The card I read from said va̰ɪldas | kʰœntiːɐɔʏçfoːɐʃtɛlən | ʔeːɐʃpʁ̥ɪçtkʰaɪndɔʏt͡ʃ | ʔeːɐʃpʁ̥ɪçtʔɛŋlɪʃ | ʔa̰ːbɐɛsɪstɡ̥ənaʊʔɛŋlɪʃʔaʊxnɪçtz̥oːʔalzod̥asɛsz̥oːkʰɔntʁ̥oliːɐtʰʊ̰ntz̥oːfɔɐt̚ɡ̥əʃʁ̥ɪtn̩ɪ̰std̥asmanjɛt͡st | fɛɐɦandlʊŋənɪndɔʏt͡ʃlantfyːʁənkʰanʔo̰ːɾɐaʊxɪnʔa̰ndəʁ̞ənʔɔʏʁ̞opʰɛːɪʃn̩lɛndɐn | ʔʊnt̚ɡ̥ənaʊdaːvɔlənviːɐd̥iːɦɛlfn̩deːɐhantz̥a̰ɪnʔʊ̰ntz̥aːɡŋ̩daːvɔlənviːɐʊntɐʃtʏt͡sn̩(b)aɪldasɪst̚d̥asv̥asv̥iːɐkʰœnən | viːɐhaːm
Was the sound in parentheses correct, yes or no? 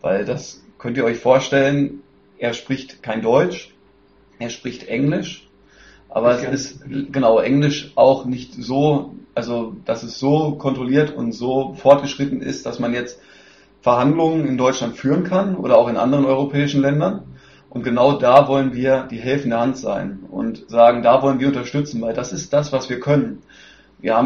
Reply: no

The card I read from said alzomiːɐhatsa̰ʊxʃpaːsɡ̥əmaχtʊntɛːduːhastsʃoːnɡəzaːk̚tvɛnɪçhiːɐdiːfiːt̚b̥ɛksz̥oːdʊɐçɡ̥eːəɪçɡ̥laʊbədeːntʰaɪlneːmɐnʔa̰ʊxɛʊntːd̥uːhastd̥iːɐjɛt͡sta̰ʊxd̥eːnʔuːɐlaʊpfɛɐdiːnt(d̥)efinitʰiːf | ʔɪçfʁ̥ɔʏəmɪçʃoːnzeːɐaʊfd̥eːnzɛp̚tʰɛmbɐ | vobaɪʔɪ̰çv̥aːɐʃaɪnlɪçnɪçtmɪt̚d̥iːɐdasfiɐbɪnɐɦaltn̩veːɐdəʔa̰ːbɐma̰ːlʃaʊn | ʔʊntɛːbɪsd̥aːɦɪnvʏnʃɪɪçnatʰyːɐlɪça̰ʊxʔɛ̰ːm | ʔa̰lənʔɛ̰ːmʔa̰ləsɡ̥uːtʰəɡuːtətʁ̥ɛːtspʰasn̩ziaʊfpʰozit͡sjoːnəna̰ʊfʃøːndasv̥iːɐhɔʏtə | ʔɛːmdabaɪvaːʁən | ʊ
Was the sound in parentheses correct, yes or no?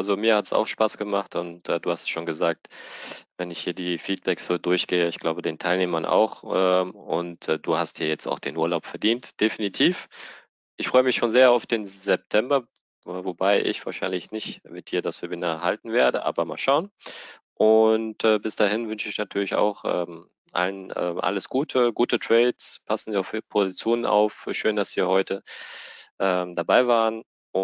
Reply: yes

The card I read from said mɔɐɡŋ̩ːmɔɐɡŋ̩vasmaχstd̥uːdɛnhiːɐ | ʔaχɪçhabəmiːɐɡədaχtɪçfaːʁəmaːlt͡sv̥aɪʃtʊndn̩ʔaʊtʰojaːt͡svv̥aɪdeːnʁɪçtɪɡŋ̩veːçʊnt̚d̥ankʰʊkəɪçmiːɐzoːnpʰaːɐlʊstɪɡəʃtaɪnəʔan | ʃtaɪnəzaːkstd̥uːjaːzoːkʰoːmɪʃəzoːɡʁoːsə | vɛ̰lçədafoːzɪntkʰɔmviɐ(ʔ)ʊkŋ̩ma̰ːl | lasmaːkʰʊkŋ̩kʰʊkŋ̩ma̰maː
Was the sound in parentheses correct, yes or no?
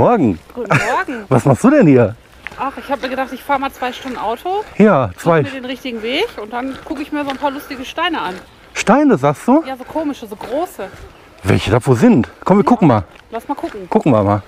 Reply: no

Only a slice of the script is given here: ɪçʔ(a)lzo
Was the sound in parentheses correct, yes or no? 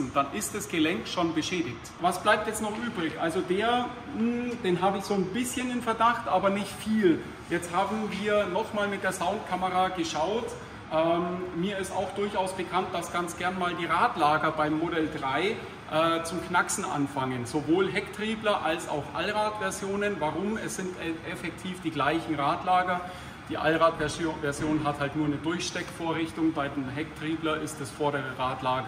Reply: yes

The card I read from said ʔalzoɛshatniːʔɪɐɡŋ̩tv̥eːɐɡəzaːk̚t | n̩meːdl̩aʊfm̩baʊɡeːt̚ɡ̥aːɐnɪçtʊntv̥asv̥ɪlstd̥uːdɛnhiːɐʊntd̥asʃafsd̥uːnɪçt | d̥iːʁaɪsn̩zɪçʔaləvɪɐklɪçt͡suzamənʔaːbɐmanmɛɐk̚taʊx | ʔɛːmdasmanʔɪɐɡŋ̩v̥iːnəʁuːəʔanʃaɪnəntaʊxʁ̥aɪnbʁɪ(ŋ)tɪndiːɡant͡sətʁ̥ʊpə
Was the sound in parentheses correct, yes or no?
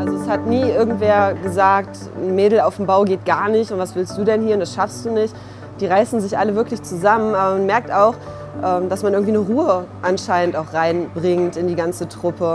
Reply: yes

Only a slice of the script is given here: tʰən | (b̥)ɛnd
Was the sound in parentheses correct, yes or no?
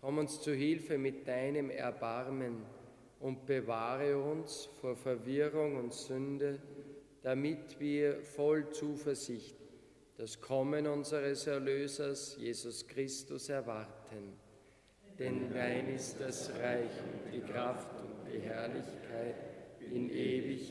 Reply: no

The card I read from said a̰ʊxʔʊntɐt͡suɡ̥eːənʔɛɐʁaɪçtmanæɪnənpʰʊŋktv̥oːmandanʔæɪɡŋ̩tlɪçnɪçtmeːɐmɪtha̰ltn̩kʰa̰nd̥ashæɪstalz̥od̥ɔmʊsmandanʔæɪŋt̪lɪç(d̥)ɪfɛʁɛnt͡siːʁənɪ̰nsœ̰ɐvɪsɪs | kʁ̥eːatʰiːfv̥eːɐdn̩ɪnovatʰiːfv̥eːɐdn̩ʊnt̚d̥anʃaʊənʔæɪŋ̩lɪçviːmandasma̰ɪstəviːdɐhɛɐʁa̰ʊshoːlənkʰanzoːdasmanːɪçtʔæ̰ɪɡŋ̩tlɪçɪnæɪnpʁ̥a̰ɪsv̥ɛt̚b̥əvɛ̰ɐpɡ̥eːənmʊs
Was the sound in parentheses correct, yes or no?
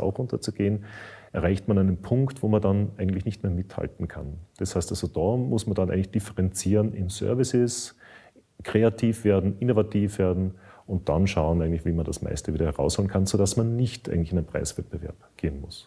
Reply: yes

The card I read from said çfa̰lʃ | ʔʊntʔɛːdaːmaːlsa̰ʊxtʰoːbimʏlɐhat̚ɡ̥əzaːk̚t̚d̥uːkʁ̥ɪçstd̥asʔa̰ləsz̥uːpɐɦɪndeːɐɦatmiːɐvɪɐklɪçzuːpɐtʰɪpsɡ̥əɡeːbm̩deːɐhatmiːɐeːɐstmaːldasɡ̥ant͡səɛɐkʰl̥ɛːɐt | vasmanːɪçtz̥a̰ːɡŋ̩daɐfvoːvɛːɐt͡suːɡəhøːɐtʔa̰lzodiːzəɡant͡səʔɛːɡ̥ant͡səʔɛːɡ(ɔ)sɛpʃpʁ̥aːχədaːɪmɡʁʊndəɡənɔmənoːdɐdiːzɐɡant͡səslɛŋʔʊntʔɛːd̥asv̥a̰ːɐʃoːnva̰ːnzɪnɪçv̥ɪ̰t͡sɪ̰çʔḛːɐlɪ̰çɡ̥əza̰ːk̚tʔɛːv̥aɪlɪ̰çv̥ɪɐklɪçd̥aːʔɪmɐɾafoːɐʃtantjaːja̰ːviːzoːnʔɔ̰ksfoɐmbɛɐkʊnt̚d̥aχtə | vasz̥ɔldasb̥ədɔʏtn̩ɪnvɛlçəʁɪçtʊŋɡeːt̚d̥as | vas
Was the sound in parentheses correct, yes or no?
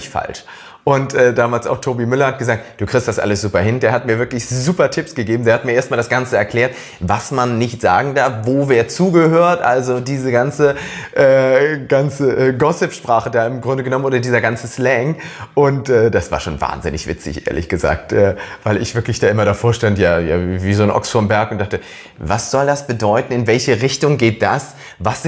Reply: yes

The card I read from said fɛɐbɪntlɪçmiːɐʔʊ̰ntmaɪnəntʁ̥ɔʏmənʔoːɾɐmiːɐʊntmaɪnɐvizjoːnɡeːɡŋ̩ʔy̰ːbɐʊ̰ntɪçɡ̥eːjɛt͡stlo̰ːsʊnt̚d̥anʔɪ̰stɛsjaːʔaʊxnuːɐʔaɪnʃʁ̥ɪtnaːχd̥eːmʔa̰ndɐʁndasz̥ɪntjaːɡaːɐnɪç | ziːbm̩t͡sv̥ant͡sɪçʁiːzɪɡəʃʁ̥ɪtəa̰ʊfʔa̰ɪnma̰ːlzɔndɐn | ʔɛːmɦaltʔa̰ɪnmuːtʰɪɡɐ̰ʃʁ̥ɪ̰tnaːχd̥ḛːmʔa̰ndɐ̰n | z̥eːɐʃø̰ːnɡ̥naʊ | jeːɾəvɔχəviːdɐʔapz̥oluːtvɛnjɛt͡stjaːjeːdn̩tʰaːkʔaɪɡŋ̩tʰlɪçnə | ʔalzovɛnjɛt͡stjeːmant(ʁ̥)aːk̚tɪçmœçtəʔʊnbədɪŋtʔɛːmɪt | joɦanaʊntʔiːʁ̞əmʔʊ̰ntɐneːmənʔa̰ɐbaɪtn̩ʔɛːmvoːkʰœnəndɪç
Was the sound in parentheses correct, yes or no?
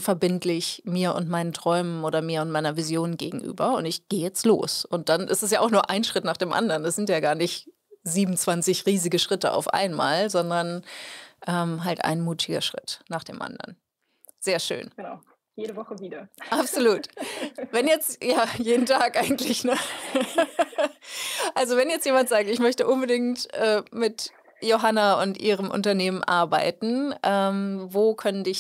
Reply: no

